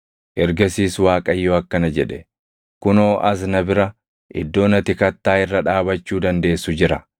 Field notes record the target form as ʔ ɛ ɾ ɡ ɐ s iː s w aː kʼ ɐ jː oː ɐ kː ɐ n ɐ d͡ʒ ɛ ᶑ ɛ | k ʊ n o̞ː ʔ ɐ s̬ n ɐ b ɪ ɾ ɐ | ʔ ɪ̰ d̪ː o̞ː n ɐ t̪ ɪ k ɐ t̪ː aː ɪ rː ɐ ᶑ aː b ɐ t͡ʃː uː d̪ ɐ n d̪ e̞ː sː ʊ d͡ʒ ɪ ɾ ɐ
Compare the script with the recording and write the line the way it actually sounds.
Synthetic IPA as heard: ʔ ɛ ɾ ɡ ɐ s iː s w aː kʼ ɐ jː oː ɐ kː ɐ n ɐ d͡ʒ ɛ ᶑ ɛ | k ʊ n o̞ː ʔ ɐ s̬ n ɐ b ɪ ɾ ɐ | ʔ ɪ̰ d̪ː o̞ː n ɐ t̪ ɪ k ɐ t̪ː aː ɪ rː ɐ ᶑ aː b ɐ t͡ʃː uː d̪ ɐ n d̪ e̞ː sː ʊ d͡ʒ ɪ ɾ ɐ

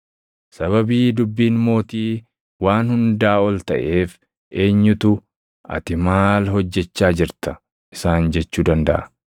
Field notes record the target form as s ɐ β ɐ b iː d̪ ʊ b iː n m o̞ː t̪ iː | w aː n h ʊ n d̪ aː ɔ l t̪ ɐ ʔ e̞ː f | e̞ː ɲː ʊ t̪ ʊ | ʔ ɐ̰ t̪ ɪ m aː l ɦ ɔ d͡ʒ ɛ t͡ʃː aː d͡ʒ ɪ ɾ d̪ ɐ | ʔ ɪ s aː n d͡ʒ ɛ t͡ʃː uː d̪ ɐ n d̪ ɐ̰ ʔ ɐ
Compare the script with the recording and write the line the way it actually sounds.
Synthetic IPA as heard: s ɐ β ɐ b iː d̪ ʊ bː iː n m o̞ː t̪ iː | w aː n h ʊ n d̪ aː ɔ l t̪ ɐ ʔ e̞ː f | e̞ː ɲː ʊ t̪ ʊ | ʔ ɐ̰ t̪ ɪ m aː l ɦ ɔ d͡ʒː ɛ t͡ʃː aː d͡ʒ ɪ ɾ t̪ ɐ | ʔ ɪ s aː n d͡ʒ ɛ t͡ʃː uː d̪ ɐ n d̪ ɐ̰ ʔ ɐ

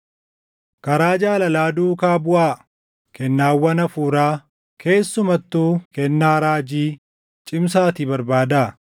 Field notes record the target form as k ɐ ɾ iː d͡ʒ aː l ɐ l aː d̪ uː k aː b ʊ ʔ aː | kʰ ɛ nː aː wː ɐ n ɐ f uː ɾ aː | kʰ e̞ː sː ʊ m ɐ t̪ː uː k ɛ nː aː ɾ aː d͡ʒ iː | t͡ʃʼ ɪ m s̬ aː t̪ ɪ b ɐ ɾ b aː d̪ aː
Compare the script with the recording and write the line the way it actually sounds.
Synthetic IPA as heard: k ɐ ɾ aː d͡ʒ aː l ɐ l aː d̪ uː k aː b ʊ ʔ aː | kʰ ɛ nː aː wː ɐ n ɐ f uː ɾ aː | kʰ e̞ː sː ʊ m ɐ t̪ː uː k ɛ nː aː ɾ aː d͡ʒ iː | t͡ʃʼ ɪ m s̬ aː t̪ ɪ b ɐ ɾ b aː d̪ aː

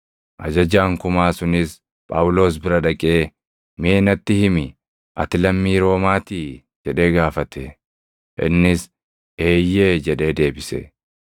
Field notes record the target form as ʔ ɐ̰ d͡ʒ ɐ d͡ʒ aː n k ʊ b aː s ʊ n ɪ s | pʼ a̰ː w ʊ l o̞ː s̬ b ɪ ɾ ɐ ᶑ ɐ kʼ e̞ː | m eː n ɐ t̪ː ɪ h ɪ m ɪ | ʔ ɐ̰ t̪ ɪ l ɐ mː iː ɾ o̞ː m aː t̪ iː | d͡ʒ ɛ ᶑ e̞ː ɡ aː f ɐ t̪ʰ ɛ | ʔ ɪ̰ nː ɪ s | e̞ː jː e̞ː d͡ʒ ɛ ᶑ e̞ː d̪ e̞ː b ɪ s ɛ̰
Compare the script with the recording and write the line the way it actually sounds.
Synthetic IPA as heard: ʔ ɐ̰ d͡ʒ ɐ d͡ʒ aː ŋ k ʊ m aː s ʊ n ɪ s | pʼ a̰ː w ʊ l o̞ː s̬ b ɪ ɾ ɐ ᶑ ɐ kʼ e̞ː | m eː n ɐ t̪ː ɪ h ɪ m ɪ | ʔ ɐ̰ t̪ ɪ l ɐ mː iː ɾ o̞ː m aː t̪ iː | d͡ʒ ɛ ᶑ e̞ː ɡ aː f ɐ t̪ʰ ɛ | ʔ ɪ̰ nː ɪ s | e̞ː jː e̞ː d͡ʒ ɛ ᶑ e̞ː d̪ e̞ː b ɪ s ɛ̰

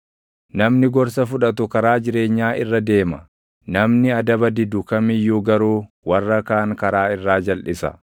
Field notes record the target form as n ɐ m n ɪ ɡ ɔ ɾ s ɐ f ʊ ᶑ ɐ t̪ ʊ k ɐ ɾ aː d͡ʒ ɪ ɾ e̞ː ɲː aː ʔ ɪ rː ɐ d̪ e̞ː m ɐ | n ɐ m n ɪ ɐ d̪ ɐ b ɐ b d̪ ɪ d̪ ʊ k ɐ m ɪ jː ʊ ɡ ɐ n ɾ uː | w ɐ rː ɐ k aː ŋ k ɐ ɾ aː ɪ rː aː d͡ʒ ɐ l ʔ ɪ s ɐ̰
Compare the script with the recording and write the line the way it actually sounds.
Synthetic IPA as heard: n ɐ m n ɪ ɡ ɔ ɾ s ɐ f ʊ ᶑ ɐ t̪ ʊ k ɐ ɾ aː d͡ʒ ɪ ɾ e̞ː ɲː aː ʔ ɪ rː ɐ d̪ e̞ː m ɐ | n ɐ m n ɪ ɐ d̪ ɐ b ɐ d̪ ɪ d̪ ʊ k ɐ m ɪ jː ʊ ɡ ɐ ɾ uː | w ɐ rː ɐ k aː ŋ k ɐ ɾ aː ɪ rː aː d͡ʒ ɐ l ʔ ɪ s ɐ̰

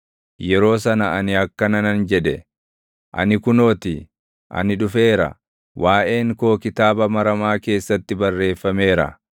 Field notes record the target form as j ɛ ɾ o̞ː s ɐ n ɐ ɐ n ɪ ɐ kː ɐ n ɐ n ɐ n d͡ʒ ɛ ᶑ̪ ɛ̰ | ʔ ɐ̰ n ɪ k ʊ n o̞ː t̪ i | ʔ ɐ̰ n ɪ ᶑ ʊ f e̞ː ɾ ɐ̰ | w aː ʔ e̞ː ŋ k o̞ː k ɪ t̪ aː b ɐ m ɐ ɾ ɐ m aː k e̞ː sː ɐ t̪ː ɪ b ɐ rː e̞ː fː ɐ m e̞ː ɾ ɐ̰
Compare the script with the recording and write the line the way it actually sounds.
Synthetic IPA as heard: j ɛ ɾ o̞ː s ɐ n ɐ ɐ n ɪ ɐ kː ɐ n ɐ n ɐ n d͡ʒ ɛ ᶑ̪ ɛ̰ | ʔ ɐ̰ n ɪ k ʊ n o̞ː t̪ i | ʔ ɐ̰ n ɪ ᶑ ʊ f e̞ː ɾ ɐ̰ | w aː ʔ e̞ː ŋ k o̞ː k ɪ t̪ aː b ɐ m ɐ ɾ ɐ m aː k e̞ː sː ɐ t̪ː ɪ b ɐ rː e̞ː fː ɐ m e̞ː ɾ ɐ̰

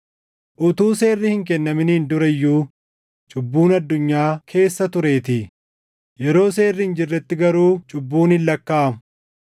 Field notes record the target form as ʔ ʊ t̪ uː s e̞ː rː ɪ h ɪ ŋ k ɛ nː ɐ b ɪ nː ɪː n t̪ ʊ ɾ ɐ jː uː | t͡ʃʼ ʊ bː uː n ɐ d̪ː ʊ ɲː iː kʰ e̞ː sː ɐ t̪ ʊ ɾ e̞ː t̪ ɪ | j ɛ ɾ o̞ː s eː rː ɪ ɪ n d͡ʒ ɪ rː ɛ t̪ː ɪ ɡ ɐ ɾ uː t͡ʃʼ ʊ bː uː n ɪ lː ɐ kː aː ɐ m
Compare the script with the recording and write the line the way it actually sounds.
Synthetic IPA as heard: ʔ ʊ t̪ uː s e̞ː rː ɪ h ɪ ŋ k ɛ nː ɐ m ɪ n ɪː n d̪ ʊ ɾ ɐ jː uː | t͡ʃʼ ʊ bː uː n ɐ d̪ː ʊ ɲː aː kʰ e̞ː sː ɐ t̪ ʊ ɾ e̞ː t̪ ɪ | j ɛ ɾ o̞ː s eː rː ɪ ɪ n d͡ʒ ɪ rː ɛ t̪ː ɪ ɡ ɐ ɾ uː t͡ʃʼ ʊ bː uː n ɪ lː ɐ kː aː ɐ m

